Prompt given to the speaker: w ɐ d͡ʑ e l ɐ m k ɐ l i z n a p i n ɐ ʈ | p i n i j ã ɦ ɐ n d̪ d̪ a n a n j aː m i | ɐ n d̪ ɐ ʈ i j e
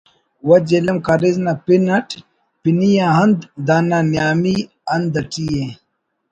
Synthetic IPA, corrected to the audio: w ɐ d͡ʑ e l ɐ m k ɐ ɾ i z n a p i n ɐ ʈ | p i n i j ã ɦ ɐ n d̪ d̪ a n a n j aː m i | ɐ n d̪ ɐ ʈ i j e